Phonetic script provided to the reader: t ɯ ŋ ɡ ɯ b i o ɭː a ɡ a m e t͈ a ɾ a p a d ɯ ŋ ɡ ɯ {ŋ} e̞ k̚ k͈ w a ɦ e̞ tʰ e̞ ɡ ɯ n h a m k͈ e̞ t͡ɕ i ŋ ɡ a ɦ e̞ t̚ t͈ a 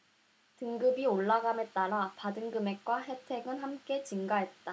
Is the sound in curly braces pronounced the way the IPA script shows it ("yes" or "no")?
no